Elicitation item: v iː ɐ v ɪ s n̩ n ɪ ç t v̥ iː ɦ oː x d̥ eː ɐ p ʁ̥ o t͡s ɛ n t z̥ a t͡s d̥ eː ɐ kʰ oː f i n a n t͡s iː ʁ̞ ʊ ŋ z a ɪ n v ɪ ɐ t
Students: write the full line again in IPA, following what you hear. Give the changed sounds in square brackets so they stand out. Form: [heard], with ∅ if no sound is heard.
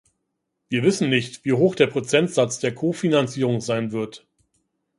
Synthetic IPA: v iː ɐ v ɪ s n̩ n ɪ ç t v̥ iː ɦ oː x d̥ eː ɐ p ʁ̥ o t͡s ɛ n t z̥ a t͡s d̥ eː ɐ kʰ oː f i n a n t͡s iː ʁ̞ ʊ ŋ z a ɪ n v ɪ ɐ t